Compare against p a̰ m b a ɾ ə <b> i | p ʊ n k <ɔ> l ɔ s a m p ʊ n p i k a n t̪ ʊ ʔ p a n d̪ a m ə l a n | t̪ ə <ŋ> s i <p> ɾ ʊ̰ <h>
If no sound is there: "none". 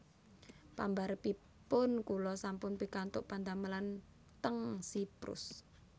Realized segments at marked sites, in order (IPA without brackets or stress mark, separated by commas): p, u, ŋ, p, s